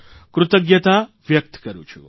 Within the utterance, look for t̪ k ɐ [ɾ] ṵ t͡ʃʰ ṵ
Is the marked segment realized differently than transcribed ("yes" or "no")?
no